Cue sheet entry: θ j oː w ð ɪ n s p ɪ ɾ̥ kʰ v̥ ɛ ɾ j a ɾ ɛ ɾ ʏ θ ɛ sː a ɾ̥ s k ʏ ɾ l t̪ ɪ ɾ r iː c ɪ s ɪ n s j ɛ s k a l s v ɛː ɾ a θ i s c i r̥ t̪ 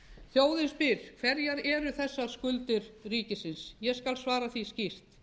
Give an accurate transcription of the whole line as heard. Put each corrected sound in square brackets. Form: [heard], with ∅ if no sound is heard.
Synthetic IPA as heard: θ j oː w ð ɪ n s p ɪ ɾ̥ kʰ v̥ ɛ ɾ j a ɾ ɛ ɾ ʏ θ ɛ sː a ɾ̥ s k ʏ [∅] l t̪ ɪ ɾ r iː c ɪ s ɪ n s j ɛ s k a l s v [aː] ɾ a θ i s c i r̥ t̪

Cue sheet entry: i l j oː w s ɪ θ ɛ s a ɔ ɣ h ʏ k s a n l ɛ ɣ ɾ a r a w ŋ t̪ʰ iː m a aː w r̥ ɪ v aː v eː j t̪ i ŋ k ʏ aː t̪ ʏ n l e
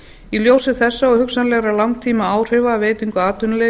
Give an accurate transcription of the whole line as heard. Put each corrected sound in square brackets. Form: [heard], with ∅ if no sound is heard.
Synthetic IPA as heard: i l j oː w s ɪ θ ɛ [sː] a ɔ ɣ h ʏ k s a n l ɛ ɣ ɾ a [l] a w ŋ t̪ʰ iː m a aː w r̥ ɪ v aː v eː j t̪ i ŋ k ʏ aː t̪ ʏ n l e

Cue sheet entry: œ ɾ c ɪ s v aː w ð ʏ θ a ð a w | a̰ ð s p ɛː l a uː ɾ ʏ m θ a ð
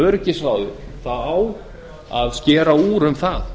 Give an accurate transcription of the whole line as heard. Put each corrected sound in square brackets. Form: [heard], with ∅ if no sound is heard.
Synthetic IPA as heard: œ ɾ c ɪ s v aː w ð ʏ θ a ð a w | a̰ ð s [c] ɛː [ɾ] a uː ɾ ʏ m θ a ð

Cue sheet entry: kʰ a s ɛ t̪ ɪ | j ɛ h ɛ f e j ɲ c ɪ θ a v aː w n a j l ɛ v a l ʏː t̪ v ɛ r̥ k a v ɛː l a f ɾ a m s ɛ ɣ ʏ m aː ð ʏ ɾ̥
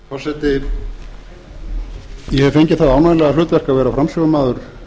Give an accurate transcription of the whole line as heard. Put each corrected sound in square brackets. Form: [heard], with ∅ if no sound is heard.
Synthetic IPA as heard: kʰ a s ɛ t̪ ɪ | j ɛ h ɛ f e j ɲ c ɪ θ a [ð] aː w n a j l ɛ [ɣ] a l ʏː t̪ v ɛ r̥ k a v ɛː [ɾ] a f ɾ a m s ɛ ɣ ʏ m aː ð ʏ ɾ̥

